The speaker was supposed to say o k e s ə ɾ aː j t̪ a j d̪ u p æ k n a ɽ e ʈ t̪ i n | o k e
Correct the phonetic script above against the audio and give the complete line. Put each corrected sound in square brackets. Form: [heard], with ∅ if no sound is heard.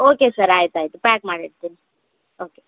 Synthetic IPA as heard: o k e s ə ɾ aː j t̪ a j [t̪] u p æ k [m] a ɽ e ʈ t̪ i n | o k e